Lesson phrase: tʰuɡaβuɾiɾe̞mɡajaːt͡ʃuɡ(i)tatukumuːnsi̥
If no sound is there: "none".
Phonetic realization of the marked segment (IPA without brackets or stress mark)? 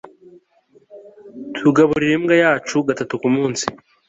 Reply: a